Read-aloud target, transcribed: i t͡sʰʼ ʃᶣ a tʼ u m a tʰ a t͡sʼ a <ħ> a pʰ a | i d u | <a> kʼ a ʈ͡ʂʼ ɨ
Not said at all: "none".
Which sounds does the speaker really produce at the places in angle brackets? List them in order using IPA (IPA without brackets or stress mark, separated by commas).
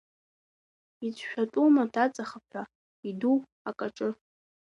χ, a